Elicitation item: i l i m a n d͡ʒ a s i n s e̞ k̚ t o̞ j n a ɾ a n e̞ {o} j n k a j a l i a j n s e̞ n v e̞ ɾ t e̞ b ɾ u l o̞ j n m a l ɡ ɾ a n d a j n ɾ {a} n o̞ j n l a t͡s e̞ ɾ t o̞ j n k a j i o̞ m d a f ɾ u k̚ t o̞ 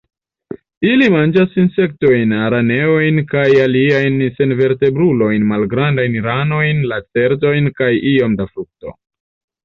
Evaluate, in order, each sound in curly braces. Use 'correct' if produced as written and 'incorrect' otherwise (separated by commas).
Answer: correct, correct